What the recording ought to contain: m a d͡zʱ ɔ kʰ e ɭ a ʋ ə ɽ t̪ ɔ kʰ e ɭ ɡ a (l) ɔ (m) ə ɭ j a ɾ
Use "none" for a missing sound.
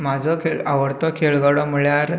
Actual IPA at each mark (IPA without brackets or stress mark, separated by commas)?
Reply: ɽ, m